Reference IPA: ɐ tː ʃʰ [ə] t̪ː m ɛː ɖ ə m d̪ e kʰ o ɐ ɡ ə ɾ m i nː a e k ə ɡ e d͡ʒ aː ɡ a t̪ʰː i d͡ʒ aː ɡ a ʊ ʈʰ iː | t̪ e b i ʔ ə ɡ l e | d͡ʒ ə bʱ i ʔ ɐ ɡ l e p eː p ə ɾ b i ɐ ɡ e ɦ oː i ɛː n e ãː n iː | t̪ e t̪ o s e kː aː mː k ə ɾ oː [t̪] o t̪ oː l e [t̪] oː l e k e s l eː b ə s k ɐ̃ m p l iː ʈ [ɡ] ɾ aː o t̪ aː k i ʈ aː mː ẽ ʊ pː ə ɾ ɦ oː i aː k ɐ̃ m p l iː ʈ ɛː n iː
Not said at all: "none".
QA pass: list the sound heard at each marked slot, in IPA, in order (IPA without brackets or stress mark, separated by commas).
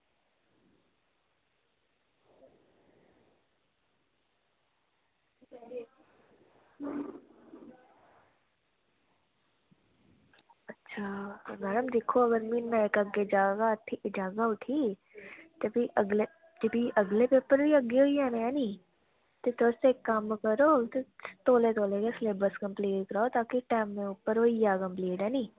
a, t̪, t̪, k